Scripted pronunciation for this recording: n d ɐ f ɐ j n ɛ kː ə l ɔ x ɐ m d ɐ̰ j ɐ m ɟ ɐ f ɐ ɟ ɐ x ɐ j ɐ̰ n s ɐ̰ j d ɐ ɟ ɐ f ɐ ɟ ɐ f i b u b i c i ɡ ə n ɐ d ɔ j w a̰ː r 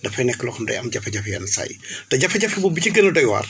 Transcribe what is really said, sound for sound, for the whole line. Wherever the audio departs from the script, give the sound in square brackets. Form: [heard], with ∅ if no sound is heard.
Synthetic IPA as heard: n d ɐ f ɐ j n ɛ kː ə l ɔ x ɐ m d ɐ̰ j ɐ m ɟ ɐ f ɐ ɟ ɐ [f] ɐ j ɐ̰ n s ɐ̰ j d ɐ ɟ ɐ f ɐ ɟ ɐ f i b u b i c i ɡ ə n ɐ d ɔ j w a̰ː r